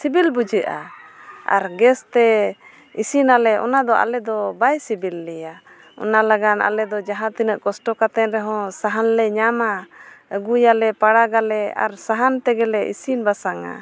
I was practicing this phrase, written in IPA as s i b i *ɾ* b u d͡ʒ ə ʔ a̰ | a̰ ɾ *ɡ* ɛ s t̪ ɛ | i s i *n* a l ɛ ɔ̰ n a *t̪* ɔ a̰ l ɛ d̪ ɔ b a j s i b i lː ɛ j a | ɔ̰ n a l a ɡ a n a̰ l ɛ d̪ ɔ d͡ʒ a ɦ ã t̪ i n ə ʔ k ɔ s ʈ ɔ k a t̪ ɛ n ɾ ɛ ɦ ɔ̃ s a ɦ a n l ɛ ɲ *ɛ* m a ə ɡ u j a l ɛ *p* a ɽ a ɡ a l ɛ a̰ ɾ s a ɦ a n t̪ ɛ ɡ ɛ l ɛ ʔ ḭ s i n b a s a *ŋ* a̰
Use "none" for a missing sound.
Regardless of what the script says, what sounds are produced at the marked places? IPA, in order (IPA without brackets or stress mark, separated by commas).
l, ɡ, n, d̪, a, p, ŋ